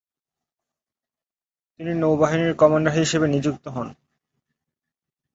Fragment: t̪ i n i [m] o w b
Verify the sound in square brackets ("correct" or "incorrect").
incorrect